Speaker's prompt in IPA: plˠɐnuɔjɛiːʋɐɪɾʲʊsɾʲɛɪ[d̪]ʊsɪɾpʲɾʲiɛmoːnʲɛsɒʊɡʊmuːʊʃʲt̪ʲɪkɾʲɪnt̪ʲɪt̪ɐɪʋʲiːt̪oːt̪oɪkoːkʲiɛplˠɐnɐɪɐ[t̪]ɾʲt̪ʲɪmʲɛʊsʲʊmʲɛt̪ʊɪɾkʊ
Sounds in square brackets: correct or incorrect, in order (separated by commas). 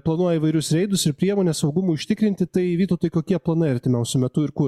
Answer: correct, incorrect